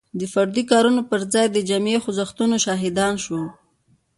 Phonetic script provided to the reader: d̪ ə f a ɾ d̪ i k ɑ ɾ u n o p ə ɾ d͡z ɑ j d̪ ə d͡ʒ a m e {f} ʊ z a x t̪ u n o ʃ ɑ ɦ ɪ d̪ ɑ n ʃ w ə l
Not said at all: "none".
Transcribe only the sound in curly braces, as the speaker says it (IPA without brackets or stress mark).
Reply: x